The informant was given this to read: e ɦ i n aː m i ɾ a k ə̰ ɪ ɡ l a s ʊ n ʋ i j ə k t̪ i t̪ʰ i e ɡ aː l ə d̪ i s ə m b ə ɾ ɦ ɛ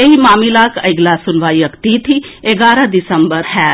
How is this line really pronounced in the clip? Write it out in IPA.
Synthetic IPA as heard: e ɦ i m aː m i l a k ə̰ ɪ ɡ l a s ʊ n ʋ a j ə k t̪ i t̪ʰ i e ɡ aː ɾ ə d̪ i s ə m b ə ɾ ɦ ɛ